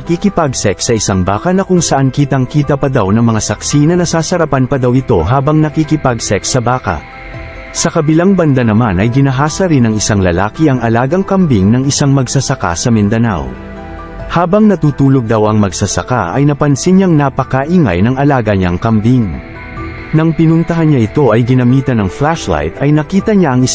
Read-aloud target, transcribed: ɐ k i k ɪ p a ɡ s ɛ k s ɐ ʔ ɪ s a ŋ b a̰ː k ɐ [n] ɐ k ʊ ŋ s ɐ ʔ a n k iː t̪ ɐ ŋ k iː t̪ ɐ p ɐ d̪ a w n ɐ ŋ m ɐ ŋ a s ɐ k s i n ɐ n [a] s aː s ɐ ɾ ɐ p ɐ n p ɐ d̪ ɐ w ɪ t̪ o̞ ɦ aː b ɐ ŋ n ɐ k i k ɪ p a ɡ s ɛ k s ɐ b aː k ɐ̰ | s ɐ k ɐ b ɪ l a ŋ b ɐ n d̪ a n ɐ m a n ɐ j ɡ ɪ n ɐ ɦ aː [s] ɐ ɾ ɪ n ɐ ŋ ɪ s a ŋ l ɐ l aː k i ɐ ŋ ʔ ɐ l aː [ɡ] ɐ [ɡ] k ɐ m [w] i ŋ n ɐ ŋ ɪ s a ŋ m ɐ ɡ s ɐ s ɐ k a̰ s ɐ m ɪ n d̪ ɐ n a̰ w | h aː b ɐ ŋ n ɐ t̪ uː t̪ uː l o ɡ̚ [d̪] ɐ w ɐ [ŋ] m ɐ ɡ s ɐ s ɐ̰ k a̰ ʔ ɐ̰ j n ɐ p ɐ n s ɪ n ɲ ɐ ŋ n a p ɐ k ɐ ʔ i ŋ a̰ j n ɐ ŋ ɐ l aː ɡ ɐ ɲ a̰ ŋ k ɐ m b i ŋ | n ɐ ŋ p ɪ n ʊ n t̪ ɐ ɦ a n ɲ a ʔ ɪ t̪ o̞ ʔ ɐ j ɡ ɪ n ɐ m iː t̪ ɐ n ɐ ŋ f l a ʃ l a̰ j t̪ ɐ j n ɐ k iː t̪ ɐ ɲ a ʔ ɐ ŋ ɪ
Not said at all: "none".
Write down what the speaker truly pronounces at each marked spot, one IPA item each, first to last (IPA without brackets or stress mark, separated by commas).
n, ɐ, s, ɡ, ŋ, b, d̪, ŋ